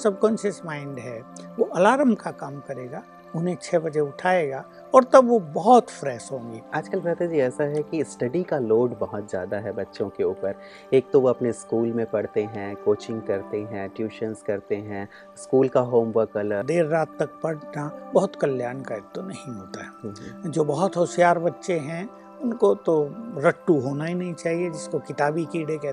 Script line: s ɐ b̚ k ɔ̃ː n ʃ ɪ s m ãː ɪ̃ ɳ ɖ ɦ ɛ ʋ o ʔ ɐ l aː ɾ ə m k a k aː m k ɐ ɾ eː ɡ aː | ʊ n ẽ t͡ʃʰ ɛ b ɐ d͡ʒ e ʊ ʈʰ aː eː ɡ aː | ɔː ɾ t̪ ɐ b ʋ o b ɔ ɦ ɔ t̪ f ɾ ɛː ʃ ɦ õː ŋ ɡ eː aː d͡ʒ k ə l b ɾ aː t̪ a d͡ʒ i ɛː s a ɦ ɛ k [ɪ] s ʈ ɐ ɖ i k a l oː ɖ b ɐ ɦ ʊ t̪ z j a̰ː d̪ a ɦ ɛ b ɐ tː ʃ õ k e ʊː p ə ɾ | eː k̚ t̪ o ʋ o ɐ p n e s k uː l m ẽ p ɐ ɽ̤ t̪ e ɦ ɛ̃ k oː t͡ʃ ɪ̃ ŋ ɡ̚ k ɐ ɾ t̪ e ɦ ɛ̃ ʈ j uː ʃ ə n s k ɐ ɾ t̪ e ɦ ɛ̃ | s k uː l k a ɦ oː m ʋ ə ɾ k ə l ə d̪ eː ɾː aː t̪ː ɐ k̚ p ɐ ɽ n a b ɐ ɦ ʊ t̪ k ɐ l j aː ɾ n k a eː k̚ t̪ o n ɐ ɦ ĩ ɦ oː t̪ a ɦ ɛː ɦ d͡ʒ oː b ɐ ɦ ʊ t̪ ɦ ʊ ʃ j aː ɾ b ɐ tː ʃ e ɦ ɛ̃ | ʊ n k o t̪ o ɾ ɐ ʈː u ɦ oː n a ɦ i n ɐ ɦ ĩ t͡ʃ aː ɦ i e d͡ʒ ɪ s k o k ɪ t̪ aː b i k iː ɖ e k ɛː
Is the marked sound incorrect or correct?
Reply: incorrect